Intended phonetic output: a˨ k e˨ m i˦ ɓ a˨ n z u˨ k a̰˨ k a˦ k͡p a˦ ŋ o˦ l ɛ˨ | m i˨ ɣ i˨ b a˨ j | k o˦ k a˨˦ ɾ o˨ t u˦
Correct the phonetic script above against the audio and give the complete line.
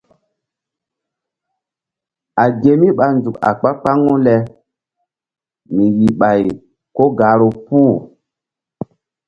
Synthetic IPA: a˨ ɡ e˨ m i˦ ɓ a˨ n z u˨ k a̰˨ k͡p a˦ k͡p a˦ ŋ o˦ l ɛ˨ | m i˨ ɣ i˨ ɓ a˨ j | k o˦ ɡ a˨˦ ɾ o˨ p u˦